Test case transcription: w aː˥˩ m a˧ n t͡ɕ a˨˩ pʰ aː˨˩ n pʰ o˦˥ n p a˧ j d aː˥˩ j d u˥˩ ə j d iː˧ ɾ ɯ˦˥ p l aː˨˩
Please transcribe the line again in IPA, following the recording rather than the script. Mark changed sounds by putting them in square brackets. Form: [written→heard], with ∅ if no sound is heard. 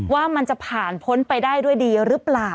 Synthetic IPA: w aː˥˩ m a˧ n t͡ɕ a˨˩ pʰ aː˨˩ n pʰ o˦˥ n p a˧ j d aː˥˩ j d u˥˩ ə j d iː˧ ɾ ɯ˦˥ p l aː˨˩